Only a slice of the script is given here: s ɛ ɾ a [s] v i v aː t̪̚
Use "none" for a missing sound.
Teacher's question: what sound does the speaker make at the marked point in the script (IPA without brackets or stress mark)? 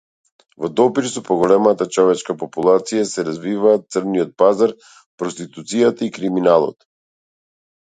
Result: z